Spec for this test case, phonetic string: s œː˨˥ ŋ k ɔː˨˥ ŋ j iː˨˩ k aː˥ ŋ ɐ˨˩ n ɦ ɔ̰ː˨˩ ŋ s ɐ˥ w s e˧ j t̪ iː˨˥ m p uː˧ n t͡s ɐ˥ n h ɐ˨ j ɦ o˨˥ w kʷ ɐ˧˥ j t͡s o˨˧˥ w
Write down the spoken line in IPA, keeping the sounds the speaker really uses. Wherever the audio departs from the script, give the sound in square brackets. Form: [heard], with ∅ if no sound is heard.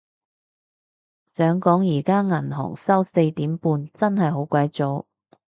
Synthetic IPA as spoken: s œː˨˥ ŋ k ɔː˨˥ ŋ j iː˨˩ k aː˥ ŋ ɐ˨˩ n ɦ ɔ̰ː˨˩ ŋ s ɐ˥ w s e˧ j t̪ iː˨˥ m p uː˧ n t͡s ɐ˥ n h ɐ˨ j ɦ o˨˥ w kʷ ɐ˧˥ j t͡s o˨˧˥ w